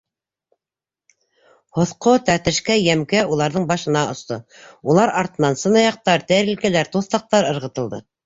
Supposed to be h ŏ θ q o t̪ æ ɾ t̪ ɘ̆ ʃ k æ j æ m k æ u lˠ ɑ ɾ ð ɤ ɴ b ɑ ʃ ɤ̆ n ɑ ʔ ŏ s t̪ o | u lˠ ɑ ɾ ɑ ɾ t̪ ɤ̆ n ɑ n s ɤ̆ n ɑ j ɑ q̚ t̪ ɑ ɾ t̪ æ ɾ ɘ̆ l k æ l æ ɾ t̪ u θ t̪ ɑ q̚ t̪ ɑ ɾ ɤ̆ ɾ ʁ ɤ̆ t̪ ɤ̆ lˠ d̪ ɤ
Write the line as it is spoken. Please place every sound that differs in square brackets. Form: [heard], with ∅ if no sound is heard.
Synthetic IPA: h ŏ θ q o t̪ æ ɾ t̪ ɘ̆ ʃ k æ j æ m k æ u lˠ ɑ ɾ ð ɤ ɴ b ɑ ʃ ɤ̆ n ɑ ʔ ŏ s t̪ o | u lˠ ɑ ɾ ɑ ɾ t̪ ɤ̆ n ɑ n s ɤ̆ n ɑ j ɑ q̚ t̪ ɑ ɾ t̪ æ ɾ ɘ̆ l k æ l æ ɾ t̪ u θ t̪ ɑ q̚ t̪ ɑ ɾ ɤ̆ ɾ ʁ ɤ̆ t̪ ɤ̆ lˠ d̪ ɤ